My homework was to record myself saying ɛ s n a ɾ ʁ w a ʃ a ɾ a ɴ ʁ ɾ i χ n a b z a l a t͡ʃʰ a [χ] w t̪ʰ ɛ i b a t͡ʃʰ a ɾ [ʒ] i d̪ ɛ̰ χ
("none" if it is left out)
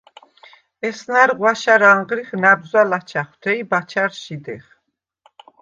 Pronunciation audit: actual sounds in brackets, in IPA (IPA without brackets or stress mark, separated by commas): χ, ʃ